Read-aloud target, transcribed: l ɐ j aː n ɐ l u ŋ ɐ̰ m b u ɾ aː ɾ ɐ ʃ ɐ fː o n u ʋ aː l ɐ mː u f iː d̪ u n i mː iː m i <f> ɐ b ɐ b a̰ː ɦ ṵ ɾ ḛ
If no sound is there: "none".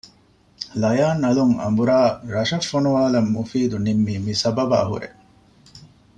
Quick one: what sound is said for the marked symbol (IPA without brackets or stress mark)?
s